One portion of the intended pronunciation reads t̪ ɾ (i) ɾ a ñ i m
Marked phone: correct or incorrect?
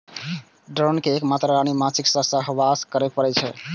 incorrect